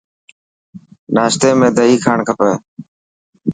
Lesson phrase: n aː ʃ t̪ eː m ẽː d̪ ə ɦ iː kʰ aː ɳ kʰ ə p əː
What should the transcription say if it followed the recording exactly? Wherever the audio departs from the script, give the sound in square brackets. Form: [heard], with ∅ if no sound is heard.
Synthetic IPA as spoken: n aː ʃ t̪ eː m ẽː d̪ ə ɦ iː kʰ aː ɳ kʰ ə p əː